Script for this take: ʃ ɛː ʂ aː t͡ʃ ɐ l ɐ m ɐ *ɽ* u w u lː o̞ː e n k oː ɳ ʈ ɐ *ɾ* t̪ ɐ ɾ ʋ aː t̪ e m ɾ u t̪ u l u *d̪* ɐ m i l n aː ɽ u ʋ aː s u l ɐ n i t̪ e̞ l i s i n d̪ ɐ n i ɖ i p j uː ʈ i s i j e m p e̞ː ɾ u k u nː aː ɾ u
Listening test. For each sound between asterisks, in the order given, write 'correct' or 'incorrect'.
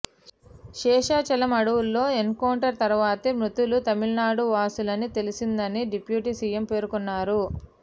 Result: correct, correct, incorrect

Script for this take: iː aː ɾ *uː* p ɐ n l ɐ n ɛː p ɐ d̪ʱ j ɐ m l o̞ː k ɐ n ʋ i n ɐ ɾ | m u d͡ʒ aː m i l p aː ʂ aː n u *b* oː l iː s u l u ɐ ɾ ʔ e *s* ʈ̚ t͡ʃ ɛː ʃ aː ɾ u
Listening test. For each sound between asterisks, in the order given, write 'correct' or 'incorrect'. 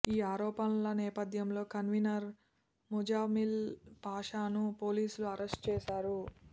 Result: incorrect, incorrect, correct

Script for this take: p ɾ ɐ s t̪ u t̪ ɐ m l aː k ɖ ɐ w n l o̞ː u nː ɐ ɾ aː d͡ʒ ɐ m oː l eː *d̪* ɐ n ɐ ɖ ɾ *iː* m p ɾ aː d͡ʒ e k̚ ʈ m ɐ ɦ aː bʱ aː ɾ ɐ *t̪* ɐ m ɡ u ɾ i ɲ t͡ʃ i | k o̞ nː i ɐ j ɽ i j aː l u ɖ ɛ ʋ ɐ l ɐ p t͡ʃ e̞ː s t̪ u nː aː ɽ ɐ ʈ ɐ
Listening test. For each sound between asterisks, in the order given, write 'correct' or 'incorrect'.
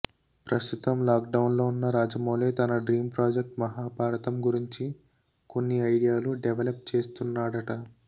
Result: incorrect, correct, correct

